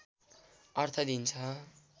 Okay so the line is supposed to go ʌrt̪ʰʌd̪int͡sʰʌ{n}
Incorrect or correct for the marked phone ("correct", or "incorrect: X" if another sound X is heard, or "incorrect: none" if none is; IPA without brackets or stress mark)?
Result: incorrect: none